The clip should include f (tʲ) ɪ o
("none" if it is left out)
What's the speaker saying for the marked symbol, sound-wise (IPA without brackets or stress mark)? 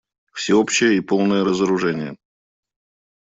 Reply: sʲ